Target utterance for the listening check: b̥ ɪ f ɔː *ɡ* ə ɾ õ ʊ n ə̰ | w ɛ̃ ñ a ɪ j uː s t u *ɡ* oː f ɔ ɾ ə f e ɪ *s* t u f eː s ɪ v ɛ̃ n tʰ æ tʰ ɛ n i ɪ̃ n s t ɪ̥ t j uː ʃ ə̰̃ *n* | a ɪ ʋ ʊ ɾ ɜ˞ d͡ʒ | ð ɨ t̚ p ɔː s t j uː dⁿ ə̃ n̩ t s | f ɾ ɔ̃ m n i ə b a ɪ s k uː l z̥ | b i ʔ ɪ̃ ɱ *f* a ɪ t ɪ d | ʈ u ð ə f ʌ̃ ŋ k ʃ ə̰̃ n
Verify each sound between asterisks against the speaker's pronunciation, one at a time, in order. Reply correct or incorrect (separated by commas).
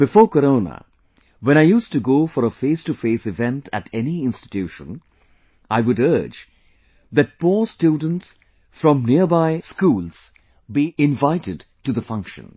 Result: incorrect, correct, correct, correct, incorrect